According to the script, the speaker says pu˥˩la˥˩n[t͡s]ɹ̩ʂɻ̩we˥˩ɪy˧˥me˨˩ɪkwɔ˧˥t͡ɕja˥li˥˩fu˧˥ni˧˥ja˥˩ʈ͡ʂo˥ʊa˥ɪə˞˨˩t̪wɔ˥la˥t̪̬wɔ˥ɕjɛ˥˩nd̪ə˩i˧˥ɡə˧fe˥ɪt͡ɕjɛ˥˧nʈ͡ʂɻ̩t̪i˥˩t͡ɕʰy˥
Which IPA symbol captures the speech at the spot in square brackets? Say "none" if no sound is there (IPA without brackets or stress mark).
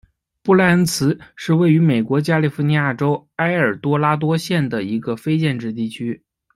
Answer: t͡sʰ